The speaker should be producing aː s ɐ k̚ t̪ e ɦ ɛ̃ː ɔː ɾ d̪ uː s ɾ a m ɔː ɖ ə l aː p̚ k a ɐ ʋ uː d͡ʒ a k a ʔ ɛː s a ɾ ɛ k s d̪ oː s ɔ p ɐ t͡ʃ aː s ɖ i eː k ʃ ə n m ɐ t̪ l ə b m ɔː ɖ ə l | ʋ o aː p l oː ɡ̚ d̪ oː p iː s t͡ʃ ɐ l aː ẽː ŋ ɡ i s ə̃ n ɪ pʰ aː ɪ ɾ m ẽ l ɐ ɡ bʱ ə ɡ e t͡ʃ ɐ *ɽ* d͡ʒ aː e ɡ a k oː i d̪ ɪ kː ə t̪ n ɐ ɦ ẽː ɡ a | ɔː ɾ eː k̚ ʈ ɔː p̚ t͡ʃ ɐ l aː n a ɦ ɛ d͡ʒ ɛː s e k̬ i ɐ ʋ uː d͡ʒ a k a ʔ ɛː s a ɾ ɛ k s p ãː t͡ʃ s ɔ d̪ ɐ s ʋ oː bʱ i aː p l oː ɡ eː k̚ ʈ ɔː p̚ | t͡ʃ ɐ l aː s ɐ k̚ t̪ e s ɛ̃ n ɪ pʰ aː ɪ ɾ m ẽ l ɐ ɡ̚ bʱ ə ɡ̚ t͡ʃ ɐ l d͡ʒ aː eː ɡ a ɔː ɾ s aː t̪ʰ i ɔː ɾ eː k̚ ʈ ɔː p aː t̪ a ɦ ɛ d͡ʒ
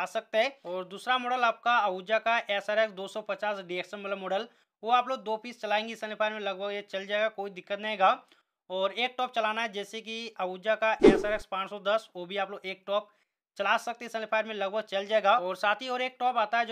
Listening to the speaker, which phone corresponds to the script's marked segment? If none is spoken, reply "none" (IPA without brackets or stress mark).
l